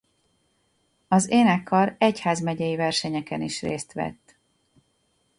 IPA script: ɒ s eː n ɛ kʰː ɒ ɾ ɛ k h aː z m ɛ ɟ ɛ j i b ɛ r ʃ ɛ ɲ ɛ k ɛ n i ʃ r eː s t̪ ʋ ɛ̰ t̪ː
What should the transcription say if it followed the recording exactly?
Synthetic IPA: ɒ z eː n ɛ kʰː ɒ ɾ ɛ c h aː z m ɛ ɟ ɛ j i v ɛ r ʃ ɛ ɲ ɛ k ɛ n i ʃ r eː s t̪ ʋ ɛ̰ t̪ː